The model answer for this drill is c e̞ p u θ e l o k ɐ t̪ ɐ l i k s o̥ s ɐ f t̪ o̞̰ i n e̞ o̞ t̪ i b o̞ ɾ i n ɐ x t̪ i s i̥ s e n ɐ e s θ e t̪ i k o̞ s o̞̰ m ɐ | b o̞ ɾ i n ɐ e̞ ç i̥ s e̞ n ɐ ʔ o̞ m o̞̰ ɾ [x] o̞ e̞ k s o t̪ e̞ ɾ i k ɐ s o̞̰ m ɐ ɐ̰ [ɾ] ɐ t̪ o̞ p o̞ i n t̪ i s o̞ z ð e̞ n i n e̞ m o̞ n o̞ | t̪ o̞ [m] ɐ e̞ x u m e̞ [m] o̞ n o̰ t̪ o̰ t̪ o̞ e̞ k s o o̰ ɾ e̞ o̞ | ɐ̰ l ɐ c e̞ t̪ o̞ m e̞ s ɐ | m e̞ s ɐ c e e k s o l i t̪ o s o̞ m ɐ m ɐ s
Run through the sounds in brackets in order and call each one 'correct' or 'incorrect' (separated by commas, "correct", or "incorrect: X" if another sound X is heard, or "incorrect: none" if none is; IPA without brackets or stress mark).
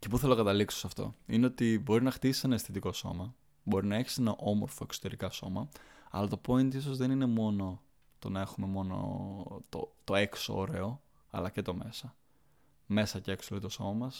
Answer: incorrect: f, incorrect: l, incorrect: n, correct